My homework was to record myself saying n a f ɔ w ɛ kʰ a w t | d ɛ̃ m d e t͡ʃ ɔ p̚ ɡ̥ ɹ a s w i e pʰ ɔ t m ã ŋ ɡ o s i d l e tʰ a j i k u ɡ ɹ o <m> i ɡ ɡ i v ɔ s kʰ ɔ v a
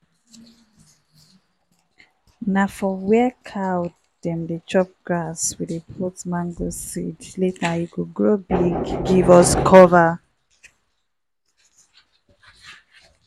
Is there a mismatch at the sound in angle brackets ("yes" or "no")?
yes